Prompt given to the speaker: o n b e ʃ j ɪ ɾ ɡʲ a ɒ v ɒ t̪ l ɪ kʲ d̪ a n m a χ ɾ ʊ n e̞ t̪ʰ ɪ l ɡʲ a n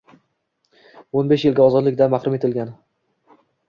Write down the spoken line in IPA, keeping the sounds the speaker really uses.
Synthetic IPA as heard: o n b e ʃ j ɪ l ɡʲ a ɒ z ɒ d̪ l ɪ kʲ d̪ a n m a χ ɾ ʊ m e̞ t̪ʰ ɪ l ɡʲ a n